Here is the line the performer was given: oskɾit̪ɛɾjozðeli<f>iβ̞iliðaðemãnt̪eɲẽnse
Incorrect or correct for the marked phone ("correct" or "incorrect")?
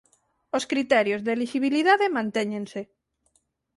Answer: incorrect